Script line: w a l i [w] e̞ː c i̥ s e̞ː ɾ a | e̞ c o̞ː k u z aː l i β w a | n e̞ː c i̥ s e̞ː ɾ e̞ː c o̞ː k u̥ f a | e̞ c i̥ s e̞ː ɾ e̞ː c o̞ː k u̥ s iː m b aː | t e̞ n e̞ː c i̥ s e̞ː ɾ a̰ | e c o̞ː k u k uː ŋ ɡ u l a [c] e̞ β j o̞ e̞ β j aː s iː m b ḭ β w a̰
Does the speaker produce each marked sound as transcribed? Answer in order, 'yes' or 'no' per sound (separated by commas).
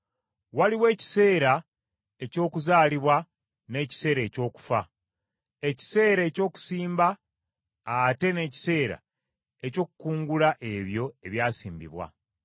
yes, no